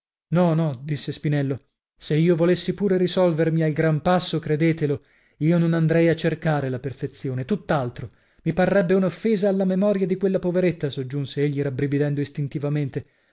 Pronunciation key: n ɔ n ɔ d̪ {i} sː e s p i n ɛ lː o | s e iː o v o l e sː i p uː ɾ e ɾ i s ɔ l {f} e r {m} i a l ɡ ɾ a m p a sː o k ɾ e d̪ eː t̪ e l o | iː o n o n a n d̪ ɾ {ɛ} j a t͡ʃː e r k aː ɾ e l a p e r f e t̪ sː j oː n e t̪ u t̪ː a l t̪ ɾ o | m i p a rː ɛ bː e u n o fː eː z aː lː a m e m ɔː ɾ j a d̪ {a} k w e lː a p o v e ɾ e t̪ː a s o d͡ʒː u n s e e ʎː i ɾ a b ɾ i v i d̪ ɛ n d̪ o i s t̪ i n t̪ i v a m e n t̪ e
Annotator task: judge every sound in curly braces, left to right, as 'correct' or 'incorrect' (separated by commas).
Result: correct, incorrect, correct, correct, incorrect